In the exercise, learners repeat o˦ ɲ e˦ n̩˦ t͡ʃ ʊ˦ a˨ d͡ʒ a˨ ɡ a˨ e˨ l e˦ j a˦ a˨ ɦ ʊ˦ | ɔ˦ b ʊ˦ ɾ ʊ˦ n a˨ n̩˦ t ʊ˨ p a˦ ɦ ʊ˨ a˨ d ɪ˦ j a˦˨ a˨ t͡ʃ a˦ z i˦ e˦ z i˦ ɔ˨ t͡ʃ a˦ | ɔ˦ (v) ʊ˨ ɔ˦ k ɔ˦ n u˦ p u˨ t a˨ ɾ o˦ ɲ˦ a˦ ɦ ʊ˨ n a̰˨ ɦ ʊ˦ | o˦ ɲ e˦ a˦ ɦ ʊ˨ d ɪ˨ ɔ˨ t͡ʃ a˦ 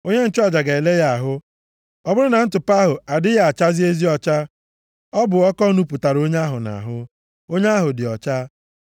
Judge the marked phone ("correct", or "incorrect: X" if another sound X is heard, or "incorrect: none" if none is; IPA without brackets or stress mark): incorrect: b